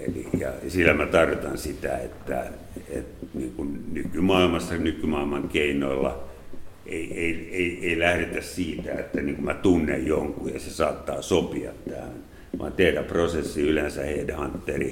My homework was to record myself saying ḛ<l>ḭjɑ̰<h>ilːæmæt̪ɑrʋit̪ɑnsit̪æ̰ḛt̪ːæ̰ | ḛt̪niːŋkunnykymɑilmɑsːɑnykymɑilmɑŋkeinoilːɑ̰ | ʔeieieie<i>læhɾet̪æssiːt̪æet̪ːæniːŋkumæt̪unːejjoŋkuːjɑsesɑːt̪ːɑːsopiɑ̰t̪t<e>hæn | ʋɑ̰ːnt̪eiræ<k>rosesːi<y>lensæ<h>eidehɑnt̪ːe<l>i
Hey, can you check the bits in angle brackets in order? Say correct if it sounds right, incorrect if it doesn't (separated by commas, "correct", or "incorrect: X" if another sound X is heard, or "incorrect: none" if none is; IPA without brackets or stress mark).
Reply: correct, incorrect: s, correct, incorrect: æ, incorrect: p, correct, correct, incorrect: r